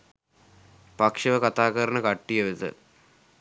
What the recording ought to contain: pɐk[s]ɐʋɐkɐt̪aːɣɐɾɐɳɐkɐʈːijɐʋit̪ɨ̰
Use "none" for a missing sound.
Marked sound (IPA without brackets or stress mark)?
ʂ